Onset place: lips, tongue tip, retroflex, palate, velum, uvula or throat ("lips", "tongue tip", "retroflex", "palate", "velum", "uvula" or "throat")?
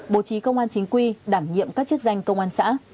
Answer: lips